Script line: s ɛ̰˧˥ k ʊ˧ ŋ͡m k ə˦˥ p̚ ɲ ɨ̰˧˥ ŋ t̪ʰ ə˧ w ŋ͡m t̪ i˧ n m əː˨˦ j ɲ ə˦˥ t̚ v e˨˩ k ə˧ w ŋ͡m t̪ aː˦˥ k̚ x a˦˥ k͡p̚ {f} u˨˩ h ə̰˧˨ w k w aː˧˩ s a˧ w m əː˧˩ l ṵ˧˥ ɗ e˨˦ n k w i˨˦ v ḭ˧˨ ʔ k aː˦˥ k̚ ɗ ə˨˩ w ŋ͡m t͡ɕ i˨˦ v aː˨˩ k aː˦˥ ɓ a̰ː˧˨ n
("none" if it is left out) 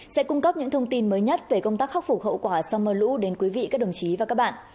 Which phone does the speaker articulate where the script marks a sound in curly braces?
f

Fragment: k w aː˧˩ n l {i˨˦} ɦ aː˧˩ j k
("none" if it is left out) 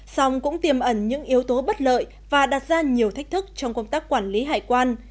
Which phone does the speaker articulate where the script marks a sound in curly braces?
i˨˦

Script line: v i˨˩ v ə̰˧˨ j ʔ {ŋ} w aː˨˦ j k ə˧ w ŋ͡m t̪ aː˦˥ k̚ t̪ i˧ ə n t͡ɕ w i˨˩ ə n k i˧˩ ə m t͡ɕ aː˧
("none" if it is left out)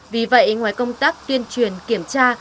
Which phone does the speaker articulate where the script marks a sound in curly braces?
ŋ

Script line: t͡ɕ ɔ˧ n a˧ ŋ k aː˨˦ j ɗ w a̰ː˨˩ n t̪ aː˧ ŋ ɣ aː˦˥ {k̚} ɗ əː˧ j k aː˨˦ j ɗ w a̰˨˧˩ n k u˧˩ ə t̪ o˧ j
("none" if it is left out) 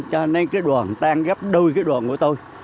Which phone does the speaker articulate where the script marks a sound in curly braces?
p̚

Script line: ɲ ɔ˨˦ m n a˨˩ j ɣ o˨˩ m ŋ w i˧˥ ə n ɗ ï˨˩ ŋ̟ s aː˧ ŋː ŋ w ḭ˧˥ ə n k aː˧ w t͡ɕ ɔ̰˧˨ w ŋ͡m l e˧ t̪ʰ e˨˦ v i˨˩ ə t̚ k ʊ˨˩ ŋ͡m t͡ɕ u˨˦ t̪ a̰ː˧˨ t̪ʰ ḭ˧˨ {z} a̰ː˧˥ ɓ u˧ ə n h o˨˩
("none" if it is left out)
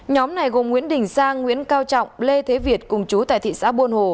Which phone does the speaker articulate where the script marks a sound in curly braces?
s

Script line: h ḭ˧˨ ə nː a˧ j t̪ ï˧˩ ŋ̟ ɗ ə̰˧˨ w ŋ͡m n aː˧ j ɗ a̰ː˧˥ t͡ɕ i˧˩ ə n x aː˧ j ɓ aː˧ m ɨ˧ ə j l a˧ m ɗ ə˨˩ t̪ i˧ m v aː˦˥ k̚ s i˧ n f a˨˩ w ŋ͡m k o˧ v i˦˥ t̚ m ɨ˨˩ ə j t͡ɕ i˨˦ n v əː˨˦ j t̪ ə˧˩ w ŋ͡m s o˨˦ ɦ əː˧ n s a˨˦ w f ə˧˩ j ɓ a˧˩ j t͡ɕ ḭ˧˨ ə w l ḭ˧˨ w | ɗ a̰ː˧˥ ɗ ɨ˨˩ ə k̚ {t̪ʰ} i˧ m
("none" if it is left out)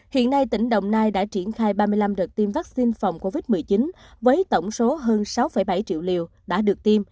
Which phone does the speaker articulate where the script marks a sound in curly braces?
t̪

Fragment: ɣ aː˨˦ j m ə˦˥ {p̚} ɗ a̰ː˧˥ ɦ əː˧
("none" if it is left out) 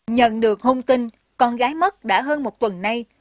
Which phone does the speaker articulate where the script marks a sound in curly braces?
t̚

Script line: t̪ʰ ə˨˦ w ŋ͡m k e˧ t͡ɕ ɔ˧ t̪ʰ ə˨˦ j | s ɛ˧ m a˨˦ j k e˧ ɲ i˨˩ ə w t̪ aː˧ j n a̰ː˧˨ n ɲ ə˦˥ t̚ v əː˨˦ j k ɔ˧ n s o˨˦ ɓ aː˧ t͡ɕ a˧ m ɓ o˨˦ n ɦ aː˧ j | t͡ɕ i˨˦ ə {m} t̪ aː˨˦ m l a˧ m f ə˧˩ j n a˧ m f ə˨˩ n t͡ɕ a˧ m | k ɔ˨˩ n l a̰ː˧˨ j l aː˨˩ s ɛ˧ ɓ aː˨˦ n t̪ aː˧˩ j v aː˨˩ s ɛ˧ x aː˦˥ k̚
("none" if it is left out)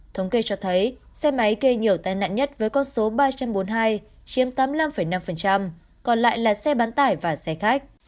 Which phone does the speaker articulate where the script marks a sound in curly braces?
m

